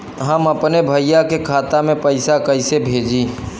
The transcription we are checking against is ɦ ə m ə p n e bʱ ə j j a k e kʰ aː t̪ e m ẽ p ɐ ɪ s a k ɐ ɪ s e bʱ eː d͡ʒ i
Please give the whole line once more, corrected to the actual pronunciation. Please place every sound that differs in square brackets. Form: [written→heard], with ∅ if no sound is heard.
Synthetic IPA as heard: ɦ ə m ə p n e bʱ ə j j a k e kʰ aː t̪ [e→a] m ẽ p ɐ ɪ s a k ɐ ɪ s e bʱ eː d͡ʒ i